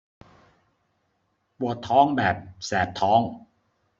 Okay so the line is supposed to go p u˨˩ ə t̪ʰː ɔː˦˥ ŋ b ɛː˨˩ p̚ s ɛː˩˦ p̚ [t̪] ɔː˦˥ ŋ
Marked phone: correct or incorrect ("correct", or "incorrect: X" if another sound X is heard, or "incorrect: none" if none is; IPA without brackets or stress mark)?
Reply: incorrect: t̪ʰ